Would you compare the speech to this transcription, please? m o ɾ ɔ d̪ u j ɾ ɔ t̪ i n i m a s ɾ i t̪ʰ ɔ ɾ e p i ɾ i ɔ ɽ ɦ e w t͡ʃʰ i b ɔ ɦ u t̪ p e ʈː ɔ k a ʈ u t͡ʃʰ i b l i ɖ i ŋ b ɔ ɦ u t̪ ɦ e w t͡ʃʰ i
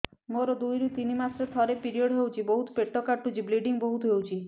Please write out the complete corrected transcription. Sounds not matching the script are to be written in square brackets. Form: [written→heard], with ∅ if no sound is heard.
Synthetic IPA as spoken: m o ɾ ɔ d̪ u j ɾ [ɔ→u] t̪ i n i m a s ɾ [i→e] t̪ʰ ɔ ɾ e p i ɾ i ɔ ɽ ɦ e w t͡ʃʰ i b ɔ ɦ u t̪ p e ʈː ɔ k a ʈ u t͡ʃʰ i b l i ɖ i ŋ b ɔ ɦ u t̪ ɦ e w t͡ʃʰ i